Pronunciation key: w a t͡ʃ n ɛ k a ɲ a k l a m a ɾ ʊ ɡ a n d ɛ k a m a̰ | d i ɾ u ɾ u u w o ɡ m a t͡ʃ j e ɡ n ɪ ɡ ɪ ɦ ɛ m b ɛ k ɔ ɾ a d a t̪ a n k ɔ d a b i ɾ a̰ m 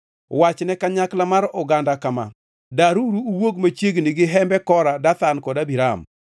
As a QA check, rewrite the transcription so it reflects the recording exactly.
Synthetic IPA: w a t͡ʃ n ɛ k a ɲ a k l a m a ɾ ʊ ɡ a n d a k a m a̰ | d a ɾ u ɾ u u w o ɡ m a t͡ʃ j e ɡ n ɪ ɡ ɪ ɦ ɛ m b ɛ k ɔ ɾ a d a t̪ a n k ɔ d a b i ɾ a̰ m